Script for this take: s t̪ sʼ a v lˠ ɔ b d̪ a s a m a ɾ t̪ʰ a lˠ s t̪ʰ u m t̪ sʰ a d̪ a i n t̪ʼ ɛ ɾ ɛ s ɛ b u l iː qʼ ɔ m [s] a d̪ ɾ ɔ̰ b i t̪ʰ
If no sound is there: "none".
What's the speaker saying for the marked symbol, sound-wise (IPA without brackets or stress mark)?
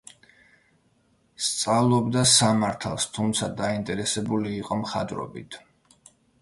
χ